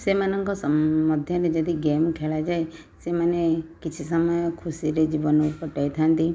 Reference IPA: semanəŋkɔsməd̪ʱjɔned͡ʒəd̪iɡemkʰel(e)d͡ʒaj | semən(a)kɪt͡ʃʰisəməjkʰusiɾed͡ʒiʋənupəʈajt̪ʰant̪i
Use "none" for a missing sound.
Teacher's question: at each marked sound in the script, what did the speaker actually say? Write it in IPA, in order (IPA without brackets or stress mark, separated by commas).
a, e